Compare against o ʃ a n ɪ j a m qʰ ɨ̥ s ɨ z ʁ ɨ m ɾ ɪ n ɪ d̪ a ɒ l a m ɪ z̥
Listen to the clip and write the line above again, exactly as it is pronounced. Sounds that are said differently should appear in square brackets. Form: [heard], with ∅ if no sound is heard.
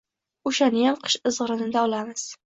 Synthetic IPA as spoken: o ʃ a n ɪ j a m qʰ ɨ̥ [ʃ] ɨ z ʁ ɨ [∅] ɾ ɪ n ɪ d̪ a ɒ l a m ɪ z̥